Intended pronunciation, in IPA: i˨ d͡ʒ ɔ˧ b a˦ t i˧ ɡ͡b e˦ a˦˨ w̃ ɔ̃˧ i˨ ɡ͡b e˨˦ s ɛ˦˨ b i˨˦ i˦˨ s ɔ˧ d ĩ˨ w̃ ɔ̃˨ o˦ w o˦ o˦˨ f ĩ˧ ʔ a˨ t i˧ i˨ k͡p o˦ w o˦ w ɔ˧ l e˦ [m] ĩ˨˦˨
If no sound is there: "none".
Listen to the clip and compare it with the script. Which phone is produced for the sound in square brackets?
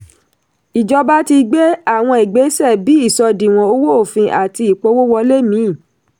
m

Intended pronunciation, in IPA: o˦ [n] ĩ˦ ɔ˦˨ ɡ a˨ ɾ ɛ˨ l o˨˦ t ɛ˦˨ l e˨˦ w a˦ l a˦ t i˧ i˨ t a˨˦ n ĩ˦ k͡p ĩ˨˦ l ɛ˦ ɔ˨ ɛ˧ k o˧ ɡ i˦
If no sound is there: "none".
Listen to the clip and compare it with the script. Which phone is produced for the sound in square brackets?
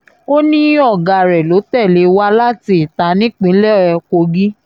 n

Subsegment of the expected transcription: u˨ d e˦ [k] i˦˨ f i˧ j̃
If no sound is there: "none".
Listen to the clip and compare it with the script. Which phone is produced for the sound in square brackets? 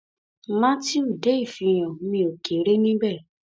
none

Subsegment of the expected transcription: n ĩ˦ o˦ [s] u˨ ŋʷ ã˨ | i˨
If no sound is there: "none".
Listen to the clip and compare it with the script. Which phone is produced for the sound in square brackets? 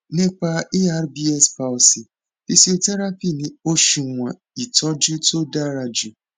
ʃ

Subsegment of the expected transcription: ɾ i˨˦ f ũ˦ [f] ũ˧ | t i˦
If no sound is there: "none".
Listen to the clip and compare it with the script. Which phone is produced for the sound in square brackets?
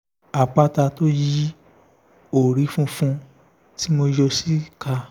f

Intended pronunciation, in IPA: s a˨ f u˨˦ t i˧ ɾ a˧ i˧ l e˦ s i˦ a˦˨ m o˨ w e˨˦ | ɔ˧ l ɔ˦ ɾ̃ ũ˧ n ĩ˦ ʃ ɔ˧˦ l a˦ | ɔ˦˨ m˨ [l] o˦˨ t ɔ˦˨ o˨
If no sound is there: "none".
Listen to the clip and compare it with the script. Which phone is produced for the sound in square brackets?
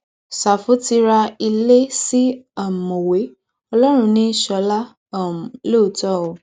l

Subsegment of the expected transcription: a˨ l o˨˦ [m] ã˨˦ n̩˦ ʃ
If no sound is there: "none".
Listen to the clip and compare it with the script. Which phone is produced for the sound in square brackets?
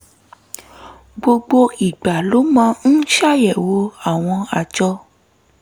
m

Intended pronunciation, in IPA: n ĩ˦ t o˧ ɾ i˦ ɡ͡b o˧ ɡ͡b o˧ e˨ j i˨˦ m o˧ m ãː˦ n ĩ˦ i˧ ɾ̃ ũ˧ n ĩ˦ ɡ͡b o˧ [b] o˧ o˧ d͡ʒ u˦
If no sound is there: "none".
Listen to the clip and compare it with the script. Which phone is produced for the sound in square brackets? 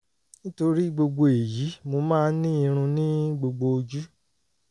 ɡ͡b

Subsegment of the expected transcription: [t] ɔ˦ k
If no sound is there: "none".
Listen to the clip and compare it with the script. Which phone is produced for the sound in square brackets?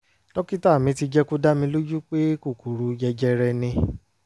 t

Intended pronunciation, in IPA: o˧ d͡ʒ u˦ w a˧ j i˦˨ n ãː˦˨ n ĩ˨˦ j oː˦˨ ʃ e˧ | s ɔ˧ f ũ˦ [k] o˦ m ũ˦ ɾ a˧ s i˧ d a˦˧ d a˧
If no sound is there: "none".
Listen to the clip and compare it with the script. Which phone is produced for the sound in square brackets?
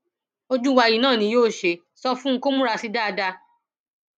k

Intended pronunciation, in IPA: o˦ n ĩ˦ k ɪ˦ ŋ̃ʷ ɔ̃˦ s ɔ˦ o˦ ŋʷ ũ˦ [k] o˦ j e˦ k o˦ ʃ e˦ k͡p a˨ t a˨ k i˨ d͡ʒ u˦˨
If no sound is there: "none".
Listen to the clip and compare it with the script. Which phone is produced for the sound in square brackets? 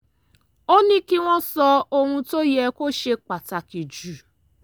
t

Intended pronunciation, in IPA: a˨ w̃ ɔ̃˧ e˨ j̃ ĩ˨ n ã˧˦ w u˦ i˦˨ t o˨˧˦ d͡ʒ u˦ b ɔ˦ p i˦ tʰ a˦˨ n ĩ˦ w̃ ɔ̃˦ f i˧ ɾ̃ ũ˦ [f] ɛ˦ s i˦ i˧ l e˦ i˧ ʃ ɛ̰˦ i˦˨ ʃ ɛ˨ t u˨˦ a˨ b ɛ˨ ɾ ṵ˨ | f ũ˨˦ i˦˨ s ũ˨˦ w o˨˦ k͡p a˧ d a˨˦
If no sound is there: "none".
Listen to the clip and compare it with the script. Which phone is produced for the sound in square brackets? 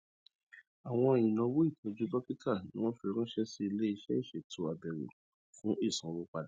ʃ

